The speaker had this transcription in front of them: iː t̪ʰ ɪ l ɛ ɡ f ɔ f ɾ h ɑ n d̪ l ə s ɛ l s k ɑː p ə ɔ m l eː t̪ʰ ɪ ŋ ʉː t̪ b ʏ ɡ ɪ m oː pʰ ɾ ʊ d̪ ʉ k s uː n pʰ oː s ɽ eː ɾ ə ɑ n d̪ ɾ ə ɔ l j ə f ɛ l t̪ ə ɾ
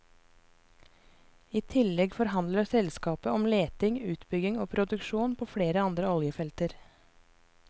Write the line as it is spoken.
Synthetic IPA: iː t̪ʰ ɪ l ɛ ɡ f ɔ ɾ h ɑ n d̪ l ə s ɛ l s k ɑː p ə ɔ m l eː t̪ ɪ ŋ ʉː t̪ b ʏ ɡ ɪ ŋ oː pʰ ɾ ʊ d̪ ʉ k ʃ uː n pʰ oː f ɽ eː ɾ ə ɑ n d̪ ɾ ə ɔ l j ə f ɛ l t̪ ə ɾ